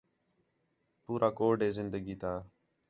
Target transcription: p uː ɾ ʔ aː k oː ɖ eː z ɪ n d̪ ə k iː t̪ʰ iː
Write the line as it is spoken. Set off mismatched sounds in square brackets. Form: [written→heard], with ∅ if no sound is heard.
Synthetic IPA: p uː ɾ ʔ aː k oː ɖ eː z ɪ n d̪ ə [k→ɡ] iː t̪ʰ [iː→aː]